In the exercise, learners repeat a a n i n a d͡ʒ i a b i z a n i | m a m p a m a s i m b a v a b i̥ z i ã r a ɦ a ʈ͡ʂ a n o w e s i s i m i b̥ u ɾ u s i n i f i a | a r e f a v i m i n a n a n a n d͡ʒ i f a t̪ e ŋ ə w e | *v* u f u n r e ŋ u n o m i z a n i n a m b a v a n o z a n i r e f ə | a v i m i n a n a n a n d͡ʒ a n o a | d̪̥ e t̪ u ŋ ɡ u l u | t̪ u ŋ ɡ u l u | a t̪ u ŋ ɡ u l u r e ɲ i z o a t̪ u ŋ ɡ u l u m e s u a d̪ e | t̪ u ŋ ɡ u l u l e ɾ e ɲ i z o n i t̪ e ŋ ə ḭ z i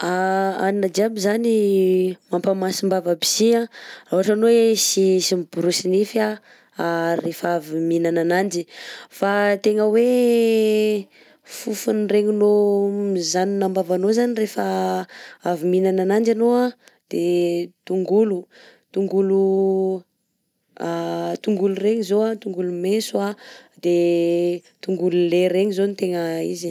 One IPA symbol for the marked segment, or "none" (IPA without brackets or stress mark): f